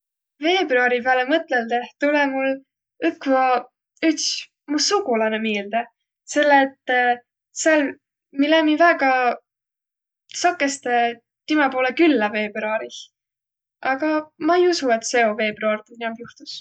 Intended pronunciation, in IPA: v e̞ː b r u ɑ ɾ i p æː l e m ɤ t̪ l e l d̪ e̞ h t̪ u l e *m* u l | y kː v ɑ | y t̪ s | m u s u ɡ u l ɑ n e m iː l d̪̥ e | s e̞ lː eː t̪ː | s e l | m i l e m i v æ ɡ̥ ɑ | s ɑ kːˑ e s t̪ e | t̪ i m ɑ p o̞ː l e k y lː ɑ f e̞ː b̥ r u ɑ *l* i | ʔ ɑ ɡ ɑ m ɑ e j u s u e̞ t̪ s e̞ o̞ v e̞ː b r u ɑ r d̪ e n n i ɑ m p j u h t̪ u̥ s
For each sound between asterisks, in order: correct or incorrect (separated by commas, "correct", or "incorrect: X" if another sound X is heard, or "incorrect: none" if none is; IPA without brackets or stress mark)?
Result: correct, incorrect: ɾ